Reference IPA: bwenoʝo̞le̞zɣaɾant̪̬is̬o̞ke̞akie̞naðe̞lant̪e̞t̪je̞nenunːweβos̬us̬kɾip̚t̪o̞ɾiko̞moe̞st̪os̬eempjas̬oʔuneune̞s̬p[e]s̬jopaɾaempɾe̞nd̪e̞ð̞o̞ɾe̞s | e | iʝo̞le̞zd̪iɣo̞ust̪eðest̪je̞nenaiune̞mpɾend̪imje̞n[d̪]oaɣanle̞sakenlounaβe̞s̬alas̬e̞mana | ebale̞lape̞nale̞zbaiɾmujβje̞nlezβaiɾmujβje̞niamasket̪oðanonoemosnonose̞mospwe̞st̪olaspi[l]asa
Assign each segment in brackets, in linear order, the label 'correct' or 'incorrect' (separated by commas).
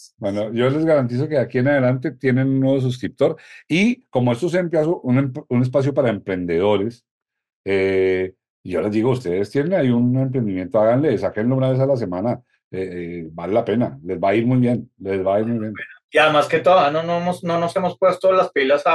incorrect, incorrect, correct